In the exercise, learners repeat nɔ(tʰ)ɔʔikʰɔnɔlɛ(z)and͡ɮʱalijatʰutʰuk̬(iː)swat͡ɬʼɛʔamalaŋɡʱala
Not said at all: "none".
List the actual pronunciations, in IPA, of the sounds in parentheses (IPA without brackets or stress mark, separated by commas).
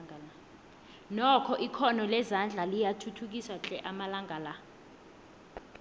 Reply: kʰ, z, i